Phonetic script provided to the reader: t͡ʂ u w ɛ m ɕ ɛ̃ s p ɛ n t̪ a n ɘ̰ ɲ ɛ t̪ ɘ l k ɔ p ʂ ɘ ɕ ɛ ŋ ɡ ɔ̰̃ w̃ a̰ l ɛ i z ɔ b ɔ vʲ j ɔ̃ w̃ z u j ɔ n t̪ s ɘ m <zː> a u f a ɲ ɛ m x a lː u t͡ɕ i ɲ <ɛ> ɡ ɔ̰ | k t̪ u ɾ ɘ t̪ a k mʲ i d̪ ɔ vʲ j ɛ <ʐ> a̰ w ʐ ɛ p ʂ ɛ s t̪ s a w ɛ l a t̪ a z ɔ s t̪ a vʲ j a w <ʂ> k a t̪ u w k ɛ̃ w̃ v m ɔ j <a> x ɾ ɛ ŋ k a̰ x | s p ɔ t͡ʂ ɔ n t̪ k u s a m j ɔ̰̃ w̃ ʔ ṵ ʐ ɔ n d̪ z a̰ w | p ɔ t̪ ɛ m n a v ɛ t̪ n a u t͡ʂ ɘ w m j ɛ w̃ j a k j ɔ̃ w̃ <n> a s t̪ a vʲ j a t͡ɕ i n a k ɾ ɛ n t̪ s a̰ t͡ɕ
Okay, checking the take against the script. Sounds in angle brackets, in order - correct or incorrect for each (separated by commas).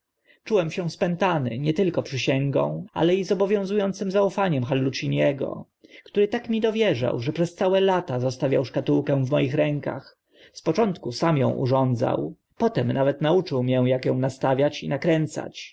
incorrect, correct, correct, correct, incorrect, correct